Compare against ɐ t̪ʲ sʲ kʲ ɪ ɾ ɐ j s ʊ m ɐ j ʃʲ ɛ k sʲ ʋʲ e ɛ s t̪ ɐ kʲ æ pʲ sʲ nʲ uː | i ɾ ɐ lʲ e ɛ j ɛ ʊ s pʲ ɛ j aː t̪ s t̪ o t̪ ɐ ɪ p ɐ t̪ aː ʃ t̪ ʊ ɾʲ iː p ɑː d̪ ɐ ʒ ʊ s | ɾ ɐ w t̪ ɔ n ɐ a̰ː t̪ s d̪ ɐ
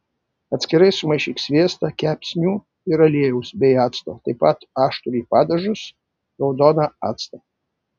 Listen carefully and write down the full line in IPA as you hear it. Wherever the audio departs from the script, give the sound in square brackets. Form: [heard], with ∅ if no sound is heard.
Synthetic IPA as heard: ɐ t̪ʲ sʲ kʲ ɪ ɾ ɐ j s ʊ m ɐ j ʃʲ [i] k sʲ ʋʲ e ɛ s t̪ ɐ kʲ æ pʲ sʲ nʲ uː | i ɾ ɐ lʲ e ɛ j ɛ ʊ s [bʲ] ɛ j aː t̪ s t̪ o t̪ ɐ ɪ p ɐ t̪ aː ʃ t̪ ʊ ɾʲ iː p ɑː d̪ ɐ ʒ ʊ s | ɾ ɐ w [d̪] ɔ n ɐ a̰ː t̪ s [t̪] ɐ